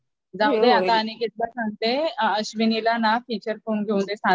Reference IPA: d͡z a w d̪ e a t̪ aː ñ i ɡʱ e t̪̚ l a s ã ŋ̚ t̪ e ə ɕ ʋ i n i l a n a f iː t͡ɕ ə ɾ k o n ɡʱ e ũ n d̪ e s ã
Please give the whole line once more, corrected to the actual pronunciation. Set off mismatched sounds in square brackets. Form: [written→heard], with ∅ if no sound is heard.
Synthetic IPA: d͡z a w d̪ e a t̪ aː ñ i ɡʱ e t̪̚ l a s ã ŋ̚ t̪ e ə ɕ ʋ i n i l a n a f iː t͡ɕ ə ɾ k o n ɡʱ e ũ n d̪ e s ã